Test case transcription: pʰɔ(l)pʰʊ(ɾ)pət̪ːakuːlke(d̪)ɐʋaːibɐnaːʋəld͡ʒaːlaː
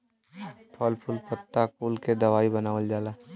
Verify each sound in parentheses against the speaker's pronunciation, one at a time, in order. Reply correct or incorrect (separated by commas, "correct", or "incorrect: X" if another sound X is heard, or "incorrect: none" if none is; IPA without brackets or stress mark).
correct, incorrect: l, correct